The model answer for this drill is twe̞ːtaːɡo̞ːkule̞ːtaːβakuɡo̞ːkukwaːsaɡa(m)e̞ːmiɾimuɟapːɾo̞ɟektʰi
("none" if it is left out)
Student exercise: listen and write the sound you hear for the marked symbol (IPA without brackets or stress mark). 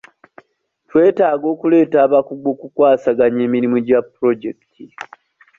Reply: ɲ